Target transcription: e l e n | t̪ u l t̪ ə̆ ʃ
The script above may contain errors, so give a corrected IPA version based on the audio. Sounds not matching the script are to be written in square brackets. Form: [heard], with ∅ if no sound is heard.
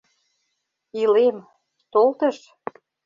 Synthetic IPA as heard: [i] l e [m] | t̪ [o] l t̪ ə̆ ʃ